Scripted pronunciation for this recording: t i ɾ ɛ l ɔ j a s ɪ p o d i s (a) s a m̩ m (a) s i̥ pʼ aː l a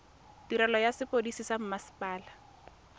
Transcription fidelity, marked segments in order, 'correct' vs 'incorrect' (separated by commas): incorrect, correct